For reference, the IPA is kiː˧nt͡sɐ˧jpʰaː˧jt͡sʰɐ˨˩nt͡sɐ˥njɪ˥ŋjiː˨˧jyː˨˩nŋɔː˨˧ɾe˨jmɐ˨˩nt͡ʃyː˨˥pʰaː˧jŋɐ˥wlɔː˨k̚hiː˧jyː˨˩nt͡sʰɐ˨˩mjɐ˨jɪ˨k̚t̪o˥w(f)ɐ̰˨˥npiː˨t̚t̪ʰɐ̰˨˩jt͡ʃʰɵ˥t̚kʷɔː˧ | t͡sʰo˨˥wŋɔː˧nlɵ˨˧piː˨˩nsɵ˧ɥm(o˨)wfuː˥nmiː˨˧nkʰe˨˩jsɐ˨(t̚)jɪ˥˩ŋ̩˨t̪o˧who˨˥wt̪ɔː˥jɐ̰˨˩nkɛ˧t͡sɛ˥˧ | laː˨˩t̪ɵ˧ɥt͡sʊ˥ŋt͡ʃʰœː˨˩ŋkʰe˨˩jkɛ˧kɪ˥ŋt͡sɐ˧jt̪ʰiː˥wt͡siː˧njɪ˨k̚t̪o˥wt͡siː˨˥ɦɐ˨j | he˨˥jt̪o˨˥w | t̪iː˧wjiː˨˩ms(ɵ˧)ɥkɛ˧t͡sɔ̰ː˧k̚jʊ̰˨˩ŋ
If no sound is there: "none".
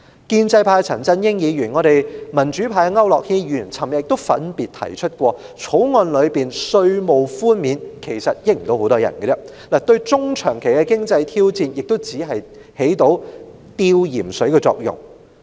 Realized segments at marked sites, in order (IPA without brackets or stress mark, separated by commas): f, o˨, t̚, ɵ˨˥